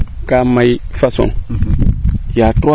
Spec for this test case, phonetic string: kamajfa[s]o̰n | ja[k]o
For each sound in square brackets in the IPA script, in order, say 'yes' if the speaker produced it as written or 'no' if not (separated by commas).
yes, no